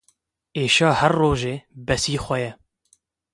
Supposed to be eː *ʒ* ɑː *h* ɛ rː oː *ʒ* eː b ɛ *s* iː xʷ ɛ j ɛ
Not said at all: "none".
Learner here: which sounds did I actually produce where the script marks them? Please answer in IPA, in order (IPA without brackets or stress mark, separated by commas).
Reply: ʃ, h, ʒ, s